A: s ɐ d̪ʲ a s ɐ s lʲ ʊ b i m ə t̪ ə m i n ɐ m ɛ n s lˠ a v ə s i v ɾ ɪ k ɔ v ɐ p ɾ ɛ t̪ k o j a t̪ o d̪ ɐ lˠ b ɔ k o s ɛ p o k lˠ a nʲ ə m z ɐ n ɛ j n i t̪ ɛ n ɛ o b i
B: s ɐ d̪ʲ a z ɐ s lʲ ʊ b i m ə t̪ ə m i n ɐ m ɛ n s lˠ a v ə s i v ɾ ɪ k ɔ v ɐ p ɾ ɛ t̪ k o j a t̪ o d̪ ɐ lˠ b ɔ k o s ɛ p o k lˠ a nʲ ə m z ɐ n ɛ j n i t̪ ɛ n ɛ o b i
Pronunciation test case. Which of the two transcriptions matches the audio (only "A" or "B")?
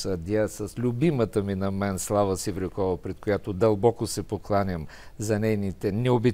A